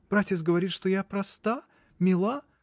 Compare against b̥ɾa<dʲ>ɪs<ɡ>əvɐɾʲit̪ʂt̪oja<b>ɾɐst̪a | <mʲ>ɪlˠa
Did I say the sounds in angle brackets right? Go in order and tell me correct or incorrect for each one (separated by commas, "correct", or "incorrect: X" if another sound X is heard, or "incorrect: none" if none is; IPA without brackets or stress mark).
incorrect: tʲ, correct, incorrect: p, correct